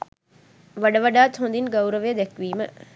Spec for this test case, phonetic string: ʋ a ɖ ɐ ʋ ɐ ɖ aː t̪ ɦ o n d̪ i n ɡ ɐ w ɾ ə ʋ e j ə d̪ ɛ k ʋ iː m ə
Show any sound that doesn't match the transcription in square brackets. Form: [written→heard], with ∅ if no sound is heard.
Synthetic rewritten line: ʋ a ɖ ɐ ʋ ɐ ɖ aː t̪ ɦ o n d̪ i n ɡ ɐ w ɾ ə ʋ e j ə d̪ ɛ k ʋ iː m ə